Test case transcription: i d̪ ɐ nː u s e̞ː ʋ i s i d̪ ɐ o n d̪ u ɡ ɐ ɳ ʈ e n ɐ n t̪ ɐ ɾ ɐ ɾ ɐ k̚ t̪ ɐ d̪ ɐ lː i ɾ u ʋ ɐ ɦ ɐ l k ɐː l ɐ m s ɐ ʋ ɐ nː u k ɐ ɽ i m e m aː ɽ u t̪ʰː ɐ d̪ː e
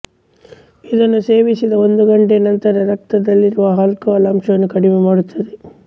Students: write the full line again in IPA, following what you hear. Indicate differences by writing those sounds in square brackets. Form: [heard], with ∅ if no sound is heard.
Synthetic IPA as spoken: i d̪ ɐ nː u s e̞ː ʋ i s i d̪ ɐ o n d̪ u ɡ ɐ ɳ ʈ e n ɐ n t̪ ɐ ɾ ɐ ɾ ɐ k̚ t̪ ɐ d̪ ɐ lː i ɾ u ʋ ɐ ɦ ɐ l k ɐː l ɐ m [ʂ] ɐ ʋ ɐ nː u k ɐ ɽ i m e m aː ɽ u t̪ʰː ɐ [d̪] e

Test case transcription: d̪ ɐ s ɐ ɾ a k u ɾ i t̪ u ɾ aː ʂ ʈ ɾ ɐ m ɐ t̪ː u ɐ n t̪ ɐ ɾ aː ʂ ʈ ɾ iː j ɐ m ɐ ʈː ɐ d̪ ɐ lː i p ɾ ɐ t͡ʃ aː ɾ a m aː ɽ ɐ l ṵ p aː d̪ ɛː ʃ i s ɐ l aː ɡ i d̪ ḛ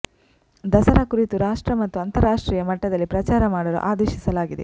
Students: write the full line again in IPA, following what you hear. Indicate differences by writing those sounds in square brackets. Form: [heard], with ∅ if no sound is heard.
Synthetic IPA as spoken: d̪ ɐ s ɐ ɾ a k u ɾ i t̪ u ɾ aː ʂ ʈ ɾ ɐ m ɐ t̪ː u ɐ n t̪ ɐ ɾ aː ʂ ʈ ɾ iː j ɐ m ɐ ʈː ɐ d̪ ɐ lː i p ɾ ɐ t͡ʃ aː ɾ [ɐ] m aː ɽ ɐ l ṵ [ʔ] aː d̪ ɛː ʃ i s ɐ l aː ɡ i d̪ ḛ

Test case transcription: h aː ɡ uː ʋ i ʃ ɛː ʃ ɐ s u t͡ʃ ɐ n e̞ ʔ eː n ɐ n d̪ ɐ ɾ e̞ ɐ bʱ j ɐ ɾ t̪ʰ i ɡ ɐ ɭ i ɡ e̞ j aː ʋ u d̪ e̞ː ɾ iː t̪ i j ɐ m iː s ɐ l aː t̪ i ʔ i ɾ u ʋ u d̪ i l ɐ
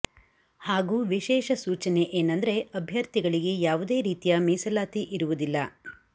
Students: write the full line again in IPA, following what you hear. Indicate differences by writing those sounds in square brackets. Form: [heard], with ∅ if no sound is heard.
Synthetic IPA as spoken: h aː ɡ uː ʋ i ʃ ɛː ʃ ɐ s [uː] t͡ʃ ɐ n e̞ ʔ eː n ɐ n d̪ ɐ ɾ e̞ ɐ bʱ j ɐ ɾ [t̪] i ɡ ɐ ɭ i ɡ e̞ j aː ʋ u d̪ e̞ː ɾ iː t̪ i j ɐ m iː s ɐ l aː t̪ i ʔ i ɾ u ʋ u d̪ i [lː] ɐ

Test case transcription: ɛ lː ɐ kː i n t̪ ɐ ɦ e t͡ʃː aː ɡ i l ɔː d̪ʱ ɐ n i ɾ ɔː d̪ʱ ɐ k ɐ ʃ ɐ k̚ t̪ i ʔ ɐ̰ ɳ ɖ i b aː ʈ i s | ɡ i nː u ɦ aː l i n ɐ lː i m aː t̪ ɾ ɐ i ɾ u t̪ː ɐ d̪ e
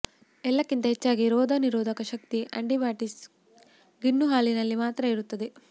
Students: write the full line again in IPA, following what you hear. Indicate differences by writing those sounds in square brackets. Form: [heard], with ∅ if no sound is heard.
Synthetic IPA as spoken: ɛ lː ɐ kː i n t̪ ɐ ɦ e t͡ʃː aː ɡ i [ɾ] ɔː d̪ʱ ɐ n i ɾ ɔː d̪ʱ ɐ k ɐ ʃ ɐ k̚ t̪ i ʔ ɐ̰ ɳ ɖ i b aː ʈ i s | ɡ i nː u ɦ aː l i n ɐ lː i m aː t̪ ɾ ɐ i ɾ u t̪ː ɐ d̪ e

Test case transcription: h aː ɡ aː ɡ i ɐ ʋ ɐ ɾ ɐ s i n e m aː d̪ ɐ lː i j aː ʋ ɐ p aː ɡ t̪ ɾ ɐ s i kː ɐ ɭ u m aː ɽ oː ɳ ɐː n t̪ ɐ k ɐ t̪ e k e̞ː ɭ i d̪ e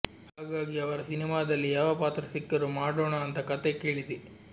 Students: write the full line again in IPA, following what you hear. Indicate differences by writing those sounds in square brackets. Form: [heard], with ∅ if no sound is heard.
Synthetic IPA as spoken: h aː ɡ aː ɡ i ɐ ʋ ɐ ɾ ɐ s i n [i] m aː d̪ ɐ lː i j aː ʋ ɐ p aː [∅] t̪ ɾ ɐ s i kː ɐ [ɾ] u m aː ɽ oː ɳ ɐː n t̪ ɐ k ɐ t̪ e k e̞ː ɭ i d̪ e

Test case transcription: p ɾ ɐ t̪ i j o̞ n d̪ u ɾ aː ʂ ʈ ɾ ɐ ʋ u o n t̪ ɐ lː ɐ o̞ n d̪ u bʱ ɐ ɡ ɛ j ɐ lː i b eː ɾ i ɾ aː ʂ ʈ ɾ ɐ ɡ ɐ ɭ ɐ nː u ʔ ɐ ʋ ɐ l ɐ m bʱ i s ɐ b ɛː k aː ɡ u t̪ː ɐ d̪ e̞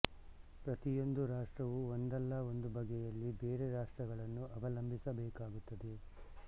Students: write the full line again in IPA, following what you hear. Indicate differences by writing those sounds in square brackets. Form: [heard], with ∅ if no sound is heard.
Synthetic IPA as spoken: p ɾ ɐ t̪ i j o̞ n d̪ u ɾ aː ʂ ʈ ɾ ɐ ʋ u o n [d̪] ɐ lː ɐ o̞ n d̪ u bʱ ɐ ɡ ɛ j ɐ lː i b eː ɾ [e] ɾ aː ʂ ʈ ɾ ɐ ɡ ɐ ɭ ɐ nː u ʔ ɐ ʋ ɐ l ɐ m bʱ i s ɐ b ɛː k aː ɡ u t̪ː ɐ d̪ e̞

